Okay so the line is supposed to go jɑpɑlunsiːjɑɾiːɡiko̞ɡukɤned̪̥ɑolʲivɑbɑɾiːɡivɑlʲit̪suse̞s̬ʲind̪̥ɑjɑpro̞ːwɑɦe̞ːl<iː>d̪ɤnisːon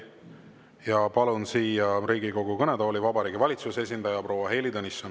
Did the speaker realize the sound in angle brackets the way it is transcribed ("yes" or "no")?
no